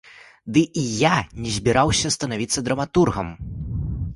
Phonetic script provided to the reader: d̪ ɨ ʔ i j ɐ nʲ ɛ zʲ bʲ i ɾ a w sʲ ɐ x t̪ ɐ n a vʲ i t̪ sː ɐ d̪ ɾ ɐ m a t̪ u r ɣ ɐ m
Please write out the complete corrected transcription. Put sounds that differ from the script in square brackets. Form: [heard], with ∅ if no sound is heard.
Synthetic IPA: d̪ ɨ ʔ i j [a] nʲ ɛ zʲ bʲ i ɾ a w sʲ ɐ [s] t̪ ɐ n a vʲ i t̪ sː ɐ d̪ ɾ ɐ m a t̪ u r ɣ ɐ m